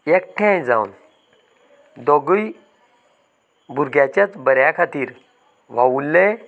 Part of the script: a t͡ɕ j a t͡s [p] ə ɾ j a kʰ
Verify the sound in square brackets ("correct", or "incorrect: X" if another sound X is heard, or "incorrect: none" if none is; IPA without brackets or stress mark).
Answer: incorrect: b